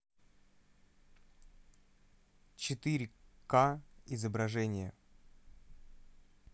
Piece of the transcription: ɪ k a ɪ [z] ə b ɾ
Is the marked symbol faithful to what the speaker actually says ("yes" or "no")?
yes